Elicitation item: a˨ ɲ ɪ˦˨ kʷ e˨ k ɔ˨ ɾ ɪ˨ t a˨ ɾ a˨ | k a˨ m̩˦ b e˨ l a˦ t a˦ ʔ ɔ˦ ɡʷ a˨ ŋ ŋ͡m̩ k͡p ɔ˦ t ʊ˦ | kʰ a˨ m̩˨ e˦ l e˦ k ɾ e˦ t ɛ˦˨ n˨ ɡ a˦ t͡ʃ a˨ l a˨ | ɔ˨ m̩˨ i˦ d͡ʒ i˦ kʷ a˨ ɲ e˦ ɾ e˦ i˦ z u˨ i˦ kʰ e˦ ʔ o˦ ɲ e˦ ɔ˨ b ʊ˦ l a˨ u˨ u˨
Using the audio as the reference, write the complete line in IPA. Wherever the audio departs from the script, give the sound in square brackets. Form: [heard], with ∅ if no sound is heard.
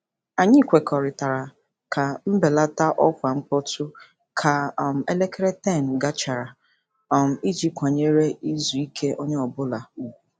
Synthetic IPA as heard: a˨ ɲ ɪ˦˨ kʷ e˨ k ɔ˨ ɾ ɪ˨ t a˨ ɾ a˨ | k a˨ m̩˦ b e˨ l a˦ t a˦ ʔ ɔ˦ [kʷ] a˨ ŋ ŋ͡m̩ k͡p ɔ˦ t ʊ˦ | kʰ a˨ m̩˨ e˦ l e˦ k ɾ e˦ t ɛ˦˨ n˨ ɡ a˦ t͡ʃ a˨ [ɾ] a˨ | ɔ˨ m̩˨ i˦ d͡ʒ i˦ kʷ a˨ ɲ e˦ ɾ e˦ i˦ z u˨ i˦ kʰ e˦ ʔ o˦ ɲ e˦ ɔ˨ b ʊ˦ l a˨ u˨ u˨